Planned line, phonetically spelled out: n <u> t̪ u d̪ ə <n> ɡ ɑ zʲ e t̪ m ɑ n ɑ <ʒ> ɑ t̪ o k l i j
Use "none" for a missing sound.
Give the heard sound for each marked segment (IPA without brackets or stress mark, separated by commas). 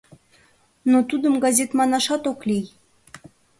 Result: o, m, ʃ